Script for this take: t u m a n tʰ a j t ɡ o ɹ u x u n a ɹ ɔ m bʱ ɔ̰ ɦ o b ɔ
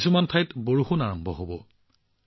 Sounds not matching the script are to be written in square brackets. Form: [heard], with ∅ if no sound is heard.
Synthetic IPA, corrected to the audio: [s] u m a n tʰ a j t [b] o ɹ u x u n a ɹ ɔ m bʱ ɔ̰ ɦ o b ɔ

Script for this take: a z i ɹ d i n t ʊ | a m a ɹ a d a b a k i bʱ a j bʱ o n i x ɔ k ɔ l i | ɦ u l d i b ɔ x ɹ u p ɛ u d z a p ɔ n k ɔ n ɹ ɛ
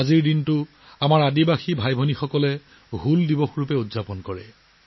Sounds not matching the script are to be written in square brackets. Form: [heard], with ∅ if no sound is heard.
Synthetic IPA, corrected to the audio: a z i ɹ d i n t ʊ | a m a ɹ a d [i] b a [x] i bʱ a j bʱ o n i x ɔ k ɔ l [ɛ] | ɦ u l d i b ɔ x ɹ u p ɛ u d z a p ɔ n k ɔ [∅] ɹ ɛ

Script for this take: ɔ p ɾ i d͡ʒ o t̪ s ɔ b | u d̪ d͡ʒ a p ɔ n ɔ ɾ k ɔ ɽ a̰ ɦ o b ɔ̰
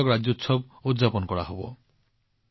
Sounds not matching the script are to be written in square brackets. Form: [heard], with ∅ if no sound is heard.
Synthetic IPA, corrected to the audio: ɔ [k] ɾ [a] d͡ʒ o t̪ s ɔ b | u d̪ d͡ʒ a p ɔ n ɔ [∅] k ɔ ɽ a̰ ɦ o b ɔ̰

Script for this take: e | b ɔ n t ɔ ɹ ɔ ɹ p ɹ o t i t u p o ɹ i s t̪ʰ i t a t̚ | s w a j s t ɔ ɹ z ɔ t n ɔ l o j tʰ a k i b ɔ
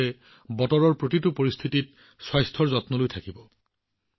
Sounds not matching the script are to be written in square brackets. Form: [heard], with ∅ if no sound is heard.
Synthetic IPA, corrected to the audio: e | b ɔ [∅] t ɔ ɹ ɔ ɹ p ɹ o t i t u p o ɹ i s t̪ʰ i t [i] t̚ | s w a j s [tʰ] ɔ ɹ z ɔ t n ɔ l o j tʰ a k i b ɔ

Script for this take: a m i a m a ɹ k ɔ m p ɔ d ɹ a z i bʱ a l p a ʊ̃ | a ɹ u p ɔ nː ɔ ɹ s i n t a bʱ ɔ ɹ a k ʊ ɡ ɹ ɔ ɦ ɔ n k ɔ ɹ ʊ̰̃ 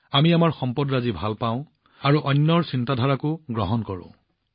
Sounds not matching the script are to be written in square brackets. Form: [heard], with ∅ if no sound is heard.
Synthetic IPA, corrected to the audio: a m i a m a ɹ [x] ɔ m p ɔ d ɹ a z i bʱ a l p a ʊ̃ | a ɹ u [ʔ] ɔ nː ɔ ɹ s i n t a [dʱ] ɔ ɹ a k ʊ ɡ ɹ ɔ ɦ ɔ n k ɔ ɹ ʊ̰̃

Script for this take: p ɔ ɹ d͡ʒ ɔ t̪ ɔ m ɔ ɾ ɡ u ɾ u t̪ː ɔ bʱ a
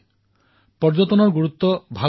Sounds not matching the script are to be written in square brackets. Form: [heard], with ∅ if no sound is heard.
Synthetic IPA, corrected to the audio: p ɔ [ɾ] d͡ʒ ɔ t̪ ɔ [n] ɔ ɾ ɡ u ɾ u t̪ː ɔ bʱ a

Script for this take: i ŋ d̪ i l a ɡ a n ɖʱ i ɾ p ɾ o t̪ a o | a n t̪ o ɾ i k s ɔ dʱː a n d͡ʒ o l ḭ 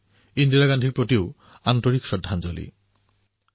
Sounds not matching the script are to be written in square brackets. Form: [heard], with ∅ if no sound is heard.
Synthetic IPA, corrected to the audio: i [n] d̪ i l a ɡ a n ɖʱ i ɾ p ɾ o t̪ [i] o | a n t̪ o ɾ i k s ɔ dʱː a n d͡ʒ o l ḭ

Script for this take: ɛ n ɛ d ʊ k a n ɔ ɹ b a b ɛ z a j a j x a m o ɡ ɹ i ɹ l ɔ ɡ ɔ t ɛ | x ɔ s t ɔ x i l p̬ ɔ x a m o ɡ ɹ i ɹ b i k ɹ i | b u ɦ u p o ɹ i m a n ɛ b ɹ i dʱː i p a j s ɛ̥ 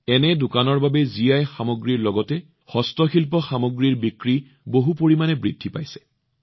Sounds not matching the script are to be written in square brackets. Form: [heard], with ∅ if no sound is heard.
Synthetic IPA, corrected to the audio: ɛ n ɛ d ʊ k a n ɔ ɹ b a b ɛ z [i] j a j x a m o ɡ ɹ i ɹ l ɔ ɡ ɔ t ɛ | x ɔ s t ɔ x i l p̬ ɔ x a m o ɡ ɹ i ɹ b i k ɹ i | b [o] ɦ u p o ɹ i m a n ɛ b ɹ i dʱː i p a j s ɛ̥

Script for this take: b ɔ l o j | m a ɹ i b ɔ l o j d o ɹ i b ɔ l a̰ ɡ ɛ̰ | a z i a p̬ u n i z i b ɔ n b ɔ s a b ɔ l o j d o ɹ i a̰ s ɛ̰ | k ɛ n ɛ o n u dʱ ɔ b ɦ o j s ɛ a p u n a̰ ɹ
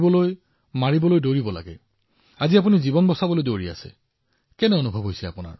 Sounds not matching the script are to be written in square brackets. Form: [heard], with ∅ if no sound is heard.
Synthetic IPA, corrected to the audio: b ɔ l o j | m a ɹ i b ɔ l o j d o ɹ i b ɔ l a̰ ɡ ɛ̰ | a z i a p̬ u n i z i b ɔ n b ɔ s a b ɔ l o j d o ɹ i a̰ s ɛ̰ | k ɛ n ɛ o n u [bʱ] ɔ b ɦ o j s ɛ a p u n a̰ ɹ

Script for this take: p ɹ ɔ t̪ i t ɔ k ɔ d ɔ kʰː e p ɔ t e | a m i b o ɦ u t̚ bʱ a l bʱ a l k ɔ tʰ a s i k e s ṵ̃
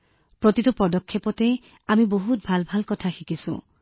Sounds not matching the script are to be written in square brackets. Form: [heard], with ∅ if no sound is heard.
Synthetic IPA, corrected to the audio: p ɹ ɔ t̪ i t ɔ [p] ɔ d ɔ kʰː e p ɔ t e | a m i b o ɦ u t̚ bʱ a l bʱ a l k ɔ tʰ a [x] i k [i] s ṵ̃

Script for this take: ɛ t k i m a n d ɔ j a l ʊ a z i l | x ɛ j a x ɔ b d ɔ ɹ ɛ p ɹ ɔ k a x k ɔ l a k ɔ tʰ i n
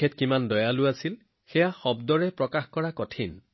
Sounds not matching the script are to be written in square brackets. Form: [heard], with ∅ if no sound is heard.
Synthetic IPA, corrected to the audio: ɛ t k i m a n d ɔ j a l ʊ a [s] i l | x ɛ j a x ɔ b d ɔ ɹ ɛ p ɹ ɔ k a x k ɔ [ɹ] a k ɔ tʰ i n

